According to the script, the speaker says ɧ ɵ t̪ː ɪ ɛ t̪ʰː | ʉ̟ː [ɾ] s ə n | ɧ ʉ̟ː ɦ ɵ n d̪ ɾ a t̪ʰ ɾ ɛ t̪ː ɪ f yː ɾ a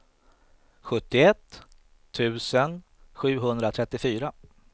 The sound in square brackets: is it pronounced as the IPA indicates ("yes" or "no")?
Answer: no